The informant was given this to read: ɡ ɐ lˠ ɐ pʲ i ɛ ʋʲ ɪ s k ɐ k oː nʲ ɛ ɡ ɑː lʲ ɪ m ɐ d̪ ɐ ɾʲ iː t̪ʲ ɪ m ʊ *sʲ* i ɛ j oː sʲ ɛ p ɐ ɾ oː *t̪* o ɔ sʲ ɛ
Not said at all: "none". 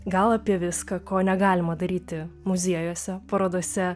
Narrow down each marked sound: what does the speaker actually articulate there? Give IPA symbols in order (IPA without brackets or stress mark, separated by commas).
zʲ, d̪